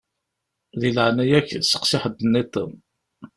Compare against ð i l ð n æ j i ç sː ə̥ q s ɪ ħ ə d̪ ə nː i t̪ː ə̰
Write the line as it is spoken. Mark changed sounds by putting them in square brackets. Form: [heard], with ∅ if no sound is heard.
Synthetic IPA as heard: ð i l [ʕ] n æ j [æ] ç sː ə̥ q s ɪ ħ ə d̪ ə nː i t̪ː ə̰